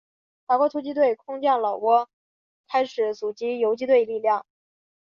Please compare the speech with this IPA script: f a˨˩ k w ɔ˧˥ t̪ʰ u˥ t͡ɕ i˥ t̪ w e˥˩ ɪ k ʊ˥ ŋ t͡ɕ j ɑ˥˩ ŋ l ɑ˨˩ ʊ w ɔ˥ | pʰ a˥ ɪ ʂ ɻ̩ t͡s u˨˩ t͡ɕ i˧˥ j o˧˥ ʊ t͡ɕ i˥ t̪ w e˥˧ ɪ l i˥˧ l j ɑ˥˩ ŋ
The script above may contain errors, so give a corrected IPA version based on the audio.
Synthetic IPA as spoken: f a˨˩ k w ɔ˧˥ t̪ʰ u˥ t͡ɕ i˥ t̪ w e˥˩ ɪ kʰ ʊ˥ ŋ t͡ɕ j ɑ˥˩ ŋ l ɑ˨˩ ʊ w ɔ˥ | kʰ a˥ ɪ ʂ ɻ̩ t͡s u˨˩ t͡ɕ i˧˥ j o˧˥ ʊ t͡ɕ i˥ t̪ w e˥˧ ɪ l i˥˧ l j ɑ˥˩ ŋ